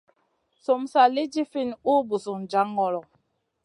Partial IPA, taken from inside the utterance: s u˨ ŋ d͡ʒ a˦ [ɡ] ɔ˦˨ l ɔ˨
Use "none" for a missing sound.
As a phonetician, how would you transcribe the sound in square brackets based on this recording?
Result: ŋ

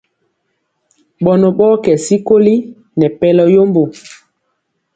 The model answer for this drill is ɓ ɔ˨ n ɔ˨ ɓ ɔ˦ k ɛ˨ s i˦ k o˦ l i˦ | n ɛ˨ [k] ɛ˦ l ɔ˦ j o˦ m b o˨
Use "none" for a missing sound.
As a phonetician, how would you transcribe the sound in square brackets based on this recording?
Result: p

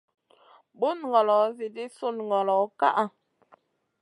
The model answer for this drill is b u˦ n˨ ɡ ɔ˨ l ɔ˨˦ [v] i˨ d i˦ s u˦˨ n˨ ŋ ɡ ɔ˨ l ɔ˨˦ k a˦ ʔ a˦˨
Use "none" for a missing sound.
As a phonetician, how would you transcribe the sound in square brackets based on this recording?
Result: z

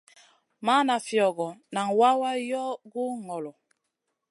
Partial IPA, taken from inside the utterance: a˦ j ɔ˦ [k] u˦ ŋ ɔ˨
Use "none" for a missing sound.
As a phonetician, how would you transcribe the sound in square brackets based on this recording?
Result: ɡ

